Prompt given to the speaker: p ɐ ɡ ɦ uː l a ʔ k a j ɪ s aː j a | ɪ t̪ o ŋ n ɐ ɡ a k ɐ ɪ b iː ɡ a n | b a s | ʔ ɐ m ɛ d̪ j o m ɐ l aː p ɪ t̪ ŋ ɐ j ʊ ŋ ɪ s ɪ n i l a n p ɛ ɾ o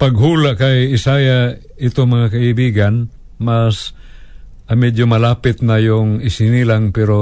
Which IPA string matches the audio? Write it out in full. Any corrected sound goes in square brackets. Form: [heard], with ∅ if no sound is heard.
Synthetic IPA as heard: p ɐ ɡ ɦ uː l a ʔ k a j ɪ s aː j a | ɪ t̪ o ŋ [m] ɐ [ŋ] a k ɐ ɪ b iː ɡ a n | [m] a s | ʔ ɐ m ɛ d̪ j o m ɐ l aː p ɪ t̪ [n] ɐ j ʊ ŋ ɪ s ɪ n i l a [ŋ] p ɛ ɾ o